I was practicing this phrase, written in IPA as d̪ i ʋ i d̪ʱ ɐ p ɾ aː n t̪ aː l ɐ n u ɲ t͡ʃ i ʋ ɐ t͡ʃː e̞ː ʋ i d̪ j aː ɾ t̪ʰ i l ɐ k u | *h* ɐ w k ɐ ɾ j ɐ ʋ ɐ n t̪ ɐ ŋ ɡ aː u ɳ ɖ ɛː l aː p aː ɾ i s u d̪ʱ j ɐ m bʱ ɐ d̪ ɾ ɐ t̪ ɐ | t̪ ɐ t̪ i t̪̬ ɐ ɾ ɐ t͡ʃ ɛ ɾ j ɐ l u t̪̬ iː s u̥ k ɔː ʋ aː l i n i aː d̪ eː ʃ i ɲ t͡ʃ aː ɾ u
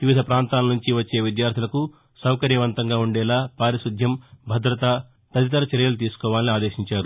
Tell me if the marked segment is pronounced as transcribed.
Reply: no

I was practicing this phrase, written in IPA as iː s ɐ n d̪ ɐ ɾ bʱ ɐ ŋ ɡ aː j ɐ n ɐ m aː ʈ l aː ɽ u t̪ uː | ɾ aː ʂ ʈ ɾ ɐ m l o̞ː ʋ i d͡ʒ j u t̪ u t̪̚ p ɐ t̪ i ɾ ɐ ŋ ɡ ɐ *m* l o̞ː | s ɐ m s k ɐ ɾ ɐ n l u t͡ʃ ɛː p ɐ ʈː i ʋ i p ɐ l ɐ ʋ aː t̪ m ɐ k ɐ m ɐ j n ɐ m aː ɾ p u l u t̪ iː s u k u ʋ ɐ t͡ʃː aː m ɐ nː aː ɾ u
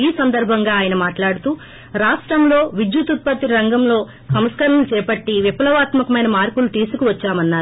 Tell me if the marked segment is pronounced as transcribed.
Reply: yes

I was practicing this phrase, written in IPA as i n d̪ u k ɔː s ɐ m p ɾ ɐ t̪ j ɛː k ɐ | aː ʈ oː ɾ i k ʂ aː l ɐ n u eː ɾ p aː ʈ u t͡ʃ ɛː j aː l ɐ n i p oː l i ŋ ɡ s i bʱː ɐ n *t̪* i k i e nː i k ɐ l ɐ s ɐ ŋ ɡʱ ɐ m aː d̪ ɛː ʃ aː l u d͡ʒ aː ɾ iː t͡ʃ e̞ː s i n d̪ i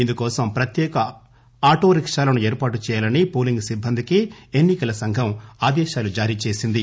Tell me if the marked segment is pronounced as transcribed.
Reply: no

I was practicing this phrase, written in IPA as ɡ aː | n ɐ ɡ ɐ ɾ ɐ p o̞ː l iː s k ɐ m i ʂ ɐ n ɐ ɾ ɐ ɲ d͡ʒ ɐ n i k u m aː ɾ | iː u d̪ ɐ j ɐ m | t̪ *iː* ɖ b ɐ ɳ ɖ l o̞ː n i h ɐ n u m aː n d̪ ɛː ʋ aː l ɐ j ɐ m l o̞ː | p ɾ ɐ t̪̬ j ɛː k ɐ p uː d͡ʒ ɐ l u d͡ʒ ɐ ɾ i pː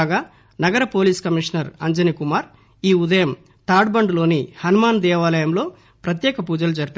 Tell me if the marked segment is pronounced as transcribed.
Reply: no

